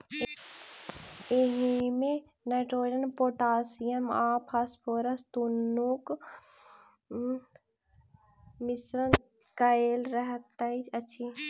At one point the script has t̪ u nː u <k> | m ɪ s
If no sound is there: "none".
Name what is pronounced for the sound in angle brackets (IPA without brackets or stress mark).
k